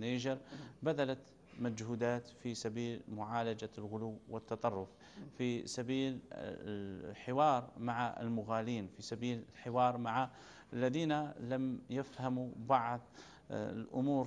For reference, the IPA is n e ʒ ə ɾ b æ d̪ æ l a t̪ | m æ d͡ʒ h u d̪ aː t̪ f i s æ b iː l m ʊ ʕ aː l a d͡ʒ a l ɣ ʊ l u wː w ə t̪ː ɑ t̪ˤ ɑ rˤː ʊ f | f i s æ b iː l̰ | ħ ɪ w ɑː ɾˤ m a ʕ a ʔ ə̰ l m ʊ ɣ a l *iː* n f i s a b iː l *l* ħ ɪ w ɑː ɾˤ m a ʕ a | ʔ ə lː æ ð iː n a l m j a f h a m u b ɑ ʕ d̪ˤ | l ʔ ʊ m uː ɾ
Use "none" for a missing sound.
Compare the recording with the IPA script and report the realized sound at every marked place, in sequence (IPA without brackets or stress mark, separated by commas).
iː, l